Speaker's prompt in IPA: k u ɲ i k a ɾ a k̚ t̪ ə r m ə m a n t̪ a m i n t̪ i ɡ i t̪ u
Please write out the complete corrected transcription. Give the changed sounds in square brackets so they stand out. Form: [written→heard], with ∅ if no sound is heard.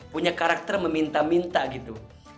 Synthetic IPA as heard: [k→p] u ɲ [i→a] k a ɾ a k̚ t̪ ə r m ə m [a→i] n t̪ a m i n t̪ [i→a] ɡ i t̪ u